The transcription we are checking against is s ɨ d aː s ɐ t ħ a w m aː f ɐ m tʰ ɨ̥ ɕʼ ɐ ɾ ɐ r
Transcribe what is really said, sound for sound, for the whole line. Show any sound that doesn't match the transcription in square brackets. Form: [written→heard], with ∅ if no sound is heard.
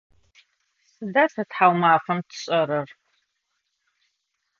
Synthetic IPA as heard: s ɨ d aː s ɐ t ħ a w m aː f ɐ m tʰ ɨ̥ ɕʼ ɐ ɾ ɐ r

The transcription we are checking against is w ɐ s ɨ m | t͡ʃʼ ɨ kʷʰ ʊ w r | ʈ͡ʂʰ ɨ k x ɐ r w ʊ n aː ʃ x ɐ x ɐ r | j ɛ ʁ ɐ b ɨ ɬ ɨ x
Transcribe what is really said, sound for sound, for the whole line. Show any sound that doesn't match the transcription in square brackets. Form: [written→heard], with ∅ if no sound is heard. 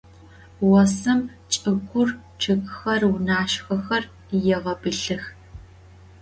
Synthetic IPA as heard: w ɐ s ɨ m | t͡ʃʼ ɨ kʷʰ ʊ [w→∅] r | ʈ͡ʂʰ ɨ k x ɐ r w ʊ n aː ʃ x ɐ x ɐ r | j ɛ ʁ ɐ b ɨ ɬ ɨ x

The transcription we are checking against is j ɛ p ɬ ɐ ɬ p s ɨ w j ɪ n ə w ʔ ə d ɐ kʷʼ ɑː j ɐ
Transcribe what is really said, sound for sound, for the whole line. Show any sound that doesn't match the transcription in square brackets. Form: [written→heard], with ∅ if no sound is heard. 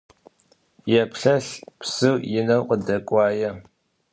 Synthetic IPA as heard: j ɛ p ɬ ɐ ɬ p s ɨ w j ɪ n [ə→ɐ] w [ʔ→q] ə d ɐ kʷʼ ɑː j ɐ

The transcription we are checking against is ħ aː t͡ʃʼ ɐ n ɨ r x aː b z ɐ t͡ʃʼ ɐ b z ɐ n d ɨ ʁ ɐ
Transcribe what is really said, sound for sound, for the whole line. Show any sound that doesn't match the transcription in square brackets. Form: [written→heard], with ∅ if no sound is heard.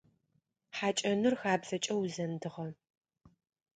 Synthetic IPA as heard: ħ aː t͡ʃʼ ɐ n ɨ r x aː b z ɐ t͡ʃʼ ɐ [b→w] z ɐ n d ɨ ʁ ɐ

